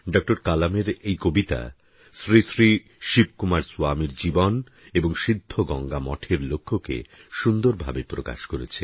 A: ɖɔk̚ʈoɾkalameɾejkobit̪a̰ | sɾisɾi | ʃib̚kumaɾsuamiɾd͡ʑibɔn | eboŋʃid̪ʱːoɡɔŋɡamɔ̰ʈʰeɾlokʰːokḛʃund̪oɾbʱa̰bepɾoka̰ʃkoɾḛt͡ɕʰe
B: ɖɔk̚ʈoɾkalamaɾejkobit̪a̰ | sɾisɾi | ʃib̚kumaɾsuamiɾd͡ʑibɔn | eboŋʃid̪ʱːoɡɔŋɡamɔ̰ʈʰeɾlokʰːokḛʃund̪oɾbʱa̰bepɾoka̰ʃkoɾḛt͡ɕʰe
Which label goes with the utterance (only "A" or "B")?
A